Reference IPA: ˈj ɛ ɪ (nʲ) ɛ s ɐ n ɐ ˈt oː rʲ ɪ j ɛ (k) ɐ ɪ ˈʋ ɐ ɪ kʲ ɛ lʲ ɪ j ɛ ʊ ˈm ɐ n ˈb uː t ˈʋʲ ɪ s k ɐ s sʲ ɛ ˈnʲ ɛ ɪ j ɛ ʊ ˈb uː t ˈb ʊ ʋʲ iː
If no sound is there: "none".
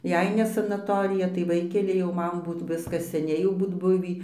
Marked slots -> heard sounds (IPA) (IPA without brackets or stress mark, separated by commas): nʲ, t